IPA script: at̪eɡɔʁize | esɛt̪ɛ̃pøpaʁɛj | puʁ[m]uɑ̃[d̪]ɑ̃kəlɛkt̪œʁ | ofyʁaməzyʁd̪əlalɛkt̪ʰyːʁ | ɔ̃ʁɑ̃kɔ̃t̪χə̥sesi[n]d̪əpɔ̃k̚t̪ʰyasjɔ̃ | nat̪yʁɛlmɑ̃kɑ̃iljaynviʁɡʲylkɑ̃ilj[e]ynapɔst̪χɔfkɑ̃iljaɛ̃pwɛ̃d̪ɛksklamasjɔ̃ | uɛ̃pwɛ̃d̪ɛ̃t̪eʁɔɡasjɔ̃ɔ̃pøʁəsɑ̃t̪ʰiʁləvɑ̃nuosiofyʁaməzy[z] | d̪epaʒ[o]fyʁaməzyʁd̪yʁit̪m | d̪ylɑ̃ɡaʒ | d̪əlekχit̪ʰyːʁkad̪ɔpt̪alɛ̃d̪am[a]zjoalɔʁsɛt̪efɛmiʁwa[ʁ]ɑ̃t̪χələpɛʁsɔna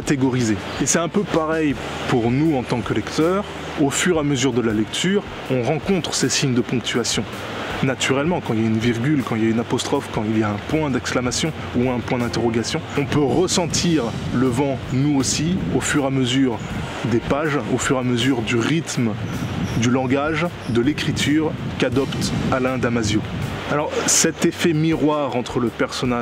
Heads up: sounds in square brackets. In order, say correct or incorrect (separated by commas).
incorrect, incorrect, incorrect, incorrect, incorrect, correct, correct, correct